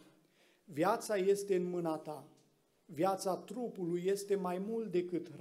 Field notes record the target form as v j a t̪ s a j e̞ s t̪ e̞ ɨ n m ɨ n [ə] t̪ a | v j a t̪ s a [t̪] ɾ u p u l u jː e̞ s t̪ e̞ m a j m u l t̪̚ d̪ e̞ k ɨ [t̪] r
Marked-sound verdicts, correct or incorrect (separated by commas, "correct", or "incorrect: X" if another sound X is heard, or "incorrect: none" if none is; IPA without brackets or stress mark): incorrect: a, correct, correct